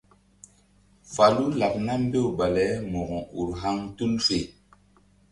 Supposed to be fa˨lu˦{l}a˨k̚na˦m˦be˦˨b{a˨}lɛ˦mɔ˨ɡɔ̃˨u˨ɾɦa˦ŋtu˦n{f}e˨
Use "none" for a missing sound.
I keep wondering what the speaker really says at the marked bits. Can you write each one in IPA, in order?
l, a˨, f

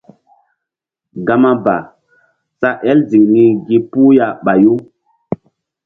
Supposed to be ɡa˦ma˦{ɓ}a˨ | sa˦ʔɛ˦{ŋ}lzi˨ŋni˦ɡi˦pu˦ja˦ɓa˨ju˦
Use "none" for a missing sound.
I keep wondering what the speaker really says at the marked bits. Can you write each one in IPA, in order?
b, none

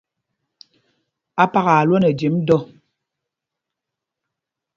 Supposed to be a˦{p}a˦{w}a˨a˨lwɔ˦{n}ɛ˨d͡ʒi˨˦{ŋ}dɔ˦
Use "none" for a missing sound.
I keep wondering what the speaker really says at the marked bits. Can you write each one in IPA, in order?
p, ɣ, n, m

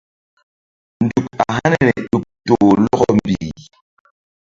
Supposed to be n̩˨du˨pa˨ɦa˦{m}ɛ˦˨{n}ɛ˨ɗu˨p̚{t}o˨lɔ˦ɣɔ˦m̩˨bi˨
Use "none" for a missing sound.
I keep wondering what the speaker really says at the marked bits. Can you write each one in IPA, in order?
n, n, t

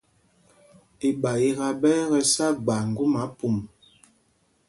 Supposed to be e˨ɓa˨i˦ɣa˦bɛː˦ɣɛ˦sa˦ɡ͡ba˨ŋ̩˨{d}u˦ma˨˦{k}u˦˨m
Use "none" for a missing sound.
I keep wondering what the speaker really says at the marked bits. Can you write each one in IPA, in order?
ɡ, p

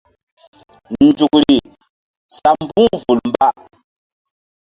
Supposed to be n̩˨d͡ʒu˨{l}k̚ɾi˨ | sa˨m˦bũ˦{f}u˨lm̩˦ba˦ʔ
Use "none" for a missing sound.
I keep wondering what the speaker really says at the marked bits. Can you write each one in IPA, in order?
none, v

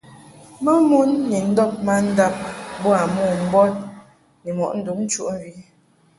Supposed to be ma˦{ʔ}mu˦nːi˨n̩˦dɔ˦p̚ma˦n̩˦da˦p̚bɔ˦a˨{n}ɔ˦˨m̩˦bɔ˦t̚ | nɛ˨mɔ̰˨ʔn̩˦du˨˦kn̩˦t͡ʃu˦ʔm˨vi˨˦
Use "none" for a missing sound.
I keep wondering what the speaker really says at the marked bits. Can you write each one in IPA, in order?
none, m

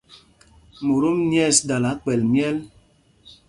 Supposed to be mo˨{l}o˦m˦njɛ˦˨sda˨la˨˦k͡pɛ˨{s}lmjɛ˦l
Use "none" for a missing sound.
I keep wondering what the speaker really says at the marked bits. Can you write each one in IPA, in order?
ɾ, none

